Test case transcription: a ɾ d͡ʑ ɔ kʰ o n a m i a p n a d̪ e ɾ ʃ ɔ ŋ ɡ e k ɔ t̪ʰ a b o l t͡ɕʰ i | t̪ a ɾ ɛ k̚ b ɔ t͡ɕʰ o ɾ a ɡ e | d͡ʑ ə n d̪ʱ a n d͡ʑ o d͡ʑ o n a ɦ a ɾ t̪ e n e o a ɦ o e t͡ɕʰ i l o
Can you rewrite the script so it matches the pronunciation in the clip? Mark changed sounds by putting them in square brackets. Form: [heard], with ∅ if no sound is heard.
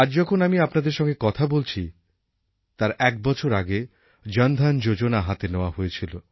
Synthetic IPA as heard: a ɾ d͡ʑ ɔ kʰ o n a m i a p n a d̪ e ɾ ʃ ɔ ŋ ɡ e k ɔ t̪ʰ a b o l t͡ɕʰ i | t̪ a ɾ ɛ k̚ b ɔ t͡ɕʰ o ɾ a ɡ e | d͡ʑ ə n d̪ʱ a n d͡ʑ o d͡ʑ o n a ɦ a [∅] t̪ e n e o a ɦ o e t͡ɕʰ i l o